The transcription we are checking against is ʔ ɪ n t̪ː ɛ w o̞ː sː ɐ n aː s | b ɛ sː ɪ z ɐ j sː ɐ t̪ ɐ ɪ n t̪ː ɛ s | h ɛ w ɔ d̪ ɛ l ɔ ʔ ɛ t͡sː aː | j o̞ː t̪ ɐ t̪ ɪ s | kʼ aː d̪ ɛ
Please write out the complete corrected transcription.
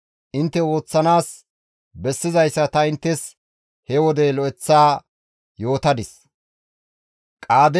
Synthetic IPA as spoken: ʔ ɪ n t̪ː ɛ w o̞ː t͡sː ɐ n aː s | b ɛ sː ɪ z ɐ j sː ɐ t̪ ɐ ɪ n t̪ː ɛ s | h ɛ w ɔ d̪ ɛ l ɔ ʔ ɛ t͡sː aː | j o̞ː t̪ ɐ d̪ ɪ s | kʼ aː d̪ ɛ